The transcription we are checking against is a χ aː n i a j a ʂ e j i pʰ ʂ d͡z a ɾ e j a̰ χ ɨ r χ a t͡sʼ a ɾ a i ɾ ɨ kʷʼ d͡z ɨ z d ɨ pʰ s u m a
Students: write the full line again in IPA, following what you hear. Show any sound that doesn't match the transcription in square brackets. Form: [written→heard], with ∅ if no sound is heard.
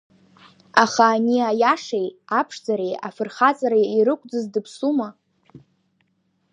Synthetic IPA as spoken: a χ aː n i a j a ʂ e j [i→a] pʰ ʂ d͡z a ɾ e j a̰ [χ→f] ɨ r χ a t͡sʼ a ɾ a i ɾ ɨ kʷʼ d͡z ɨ z d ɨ pʰ s u m a